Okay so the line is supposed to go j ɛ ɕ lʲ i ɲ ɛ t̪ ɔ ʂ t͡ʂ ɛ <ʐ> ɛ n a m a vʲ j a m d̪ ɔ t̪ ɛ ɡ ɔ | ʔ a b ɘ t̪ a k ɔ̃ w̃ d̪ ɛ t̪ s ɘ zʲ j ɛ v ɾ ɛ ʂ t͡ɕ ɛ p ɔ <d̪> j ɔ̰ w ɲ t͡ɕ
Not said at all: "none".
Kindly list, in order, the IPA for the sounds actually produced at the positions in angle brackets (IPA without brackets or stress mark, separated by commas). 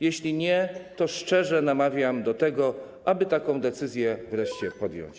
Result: ʐ, d̪